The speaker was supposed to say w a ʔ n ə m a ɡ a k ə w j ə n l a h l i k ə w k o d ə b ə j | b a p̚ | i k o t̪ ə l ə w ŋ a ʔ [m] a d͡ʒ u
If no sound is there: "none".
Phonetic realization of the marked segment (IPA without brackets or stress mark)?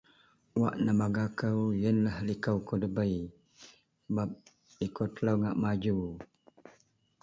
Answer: m